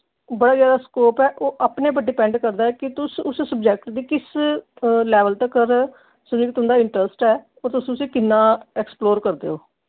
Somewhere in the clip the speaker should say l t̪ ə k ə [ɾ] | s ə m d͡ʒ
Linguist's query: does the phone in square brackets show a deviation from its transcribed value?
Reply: no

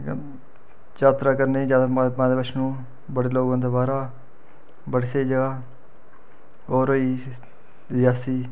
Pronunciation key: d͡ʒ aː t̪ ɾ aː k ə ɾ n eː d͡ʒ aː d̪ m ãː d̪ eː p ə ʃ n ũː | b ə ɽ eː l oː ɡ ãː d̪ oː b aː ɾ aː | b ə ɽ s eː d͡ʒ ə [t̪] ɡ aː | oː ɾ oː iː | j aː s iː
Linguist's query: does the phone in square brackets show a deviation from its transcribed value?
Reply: yes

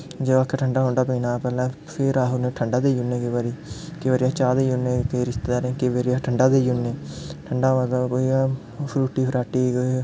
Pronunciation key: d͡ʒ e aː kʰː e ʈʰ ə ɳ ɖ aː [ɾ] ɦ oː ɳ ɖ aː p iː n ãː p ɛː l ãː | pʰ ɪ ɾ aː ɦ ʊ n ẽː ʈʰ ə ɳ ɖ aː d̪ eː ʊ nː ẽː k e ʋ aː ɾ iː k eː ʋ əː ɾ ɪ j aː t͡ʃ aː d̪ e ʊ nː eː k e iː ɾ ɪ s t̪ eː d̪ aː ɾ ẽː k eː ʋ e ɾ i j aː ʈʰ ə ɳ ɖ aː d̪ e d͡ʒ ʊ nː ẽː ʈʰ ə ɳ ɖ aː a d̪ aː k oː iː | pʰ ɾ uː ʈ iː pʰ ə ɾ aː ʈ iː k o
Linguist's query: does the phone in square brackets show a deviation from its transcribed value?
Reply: yes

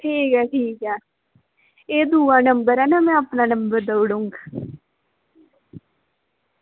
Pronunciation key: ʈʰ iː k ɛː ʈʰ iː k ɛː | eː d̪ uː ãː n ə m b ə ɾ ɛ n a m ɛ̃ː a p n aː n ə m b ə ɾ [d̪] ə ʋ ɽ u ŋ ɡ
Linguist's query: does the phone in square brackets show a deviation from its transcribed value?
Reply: no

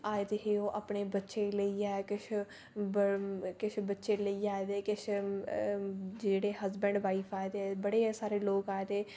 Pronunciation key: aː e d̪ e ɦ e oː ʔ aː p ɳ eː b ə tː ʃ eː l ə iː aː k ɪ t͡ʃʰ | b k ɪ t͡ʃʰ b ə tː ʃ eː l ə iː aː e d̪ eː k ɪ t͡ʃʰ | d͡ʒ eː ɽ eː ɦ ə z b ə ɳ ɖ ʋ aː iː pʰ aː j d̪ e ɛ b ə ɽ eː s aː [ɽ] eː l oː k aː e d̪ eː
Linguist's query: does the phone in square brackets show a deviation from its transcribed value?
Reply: yes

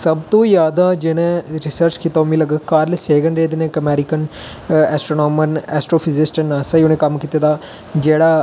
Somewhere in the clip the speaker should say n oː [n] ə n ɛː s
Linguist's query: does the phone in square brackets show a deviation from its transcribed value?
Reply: yes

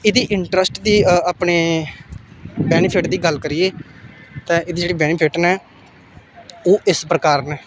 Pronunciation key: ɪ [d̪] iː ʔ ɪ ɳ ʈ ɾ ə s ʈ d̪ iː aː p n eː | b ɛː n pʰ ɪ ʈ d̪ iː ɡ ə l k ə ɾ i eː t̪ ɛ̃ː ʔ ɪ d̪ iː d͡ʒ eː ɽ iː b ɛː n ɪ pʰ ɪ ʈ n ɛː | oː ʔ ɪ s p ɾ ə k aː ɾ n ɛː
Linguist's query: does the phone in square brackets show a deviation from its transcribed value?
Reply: no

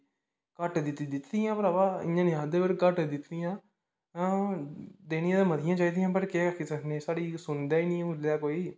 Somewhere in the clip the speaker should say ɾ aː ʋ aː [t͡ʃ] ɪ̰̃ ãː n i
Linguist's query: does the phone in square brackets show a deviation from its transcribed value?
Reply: yes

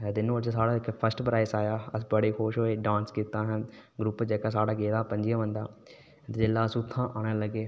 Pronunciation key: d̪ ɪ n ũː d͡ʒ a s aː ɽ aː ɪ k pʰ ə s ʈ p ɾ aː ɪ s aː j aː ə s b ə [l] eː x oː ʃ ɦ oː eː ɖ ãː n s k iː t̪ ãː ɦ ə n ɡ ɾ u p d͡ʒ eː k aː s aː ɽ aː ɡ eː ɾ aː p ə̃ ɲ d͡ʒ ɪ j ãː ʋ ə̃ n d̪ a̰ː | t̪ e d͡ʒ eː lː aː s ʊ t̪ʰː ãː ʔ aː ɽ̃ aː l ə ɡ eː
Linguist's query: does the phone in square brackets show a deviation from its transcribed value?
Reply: yes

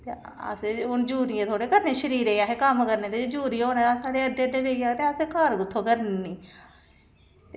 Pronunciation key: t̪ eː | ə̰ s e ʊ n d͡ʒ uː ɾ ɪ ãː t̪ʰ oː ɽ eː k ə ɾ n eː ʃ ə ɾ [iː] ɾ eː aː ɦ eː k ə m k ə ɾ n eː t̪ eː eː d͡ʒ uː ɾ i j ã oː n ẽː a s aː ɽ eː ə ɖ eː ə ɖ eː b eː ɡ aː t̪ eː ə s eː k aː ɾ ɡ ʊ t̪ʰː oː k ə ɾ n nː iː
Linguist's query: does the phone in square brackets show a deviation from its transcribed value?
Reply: no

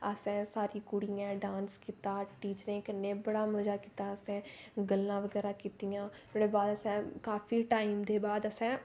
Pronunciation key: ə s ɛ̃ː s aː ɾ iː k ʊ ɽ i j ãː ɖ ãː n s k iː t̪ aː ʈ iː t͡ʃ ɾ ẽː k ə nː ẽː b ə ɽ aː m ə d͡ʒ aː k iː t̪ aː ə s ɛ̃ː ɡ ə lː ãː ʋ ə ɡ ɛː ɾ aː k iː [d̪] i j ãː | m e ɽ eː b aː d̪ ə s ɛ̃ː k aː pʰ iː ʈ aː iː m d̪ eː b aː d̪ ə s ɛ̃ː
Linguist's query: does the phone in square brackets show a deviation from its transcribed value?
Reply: yes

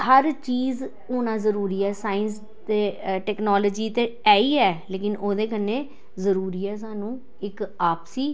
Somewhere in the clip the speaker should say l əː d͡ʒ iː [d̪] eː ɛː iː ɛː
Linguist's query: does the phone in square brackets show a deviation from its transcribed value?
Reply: yes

